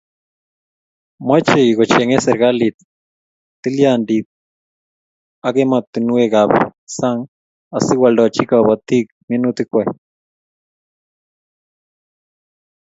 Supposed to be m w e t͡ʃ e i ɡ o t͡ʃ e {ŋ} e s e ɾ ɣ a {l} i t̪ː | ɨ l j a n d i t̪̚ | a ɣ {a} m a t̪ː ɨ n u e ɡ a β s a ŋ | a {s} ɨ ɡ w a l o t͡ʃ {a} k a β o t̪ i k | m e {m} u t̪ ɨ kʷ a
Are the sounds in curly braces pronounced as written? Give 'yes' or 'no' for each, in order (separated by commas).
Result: yes, yes, no, yes, no, no